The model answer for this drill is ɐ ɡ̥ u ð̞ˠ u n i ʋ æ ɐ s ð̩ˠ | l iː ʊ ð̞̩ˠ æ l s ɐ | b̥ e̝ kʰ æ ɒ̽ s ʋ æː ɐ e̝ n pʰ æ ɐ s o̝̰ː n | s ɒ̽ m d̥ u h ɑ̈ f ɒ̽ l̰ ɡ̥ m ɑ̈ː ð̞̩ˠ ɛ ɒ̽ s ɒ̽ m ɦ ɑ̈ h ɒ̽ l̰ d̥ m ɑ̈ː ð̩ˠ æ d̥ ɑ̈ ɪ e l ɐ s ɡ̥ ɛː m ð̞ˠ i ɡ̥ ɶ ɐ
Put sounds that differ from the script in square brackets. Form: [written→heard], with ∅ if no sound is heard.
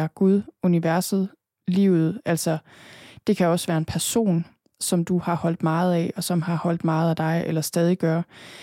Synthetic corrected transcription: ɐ ɡ̥ u ð̞ˠ u n i ʋ æ ɐ s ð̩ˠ | l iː ʊ ð̞̩ˠ æ l s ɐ | [b̥→d̥] e̝ kʰ æ ɒ̽ s ʋ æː ɐ e̝ n pʰ æ ɐ s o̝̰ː n | s ɒ̽ m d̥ u h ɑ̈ [f→h] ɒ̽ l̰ [ɡ̥→d̥] m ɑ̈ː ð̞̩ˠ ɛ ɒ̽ s ɒ̽ m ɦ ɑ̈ h ɒ̽ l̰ d̥ m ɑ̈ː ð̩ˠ æ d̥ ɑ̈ ɪ e l ɐ s [ɡ̥→d̥] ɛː [m→∅] ð̞ˠ i ɡ̥ ɶ ɐ